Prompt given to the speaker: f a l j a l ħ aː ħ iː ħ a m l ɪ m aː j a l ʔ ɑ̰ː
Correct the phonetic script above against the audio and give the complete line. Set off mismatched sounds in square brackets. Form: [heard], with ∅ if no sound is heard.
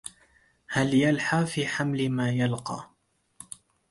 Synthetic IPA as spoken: [h] a l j a l ħ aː [f] iː ħ a m l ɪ m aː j a l [q] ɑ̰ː